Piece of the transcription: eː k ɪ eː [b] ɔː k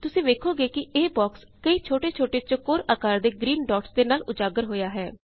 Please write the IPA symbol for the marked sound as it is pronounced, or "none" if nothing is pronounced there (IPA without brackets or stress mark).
b